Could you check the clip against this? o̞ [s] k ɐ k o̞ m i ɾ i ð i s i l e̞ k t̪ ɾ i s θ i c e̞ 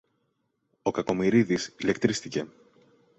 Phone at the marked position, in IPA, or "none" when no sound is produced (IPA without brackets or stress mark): none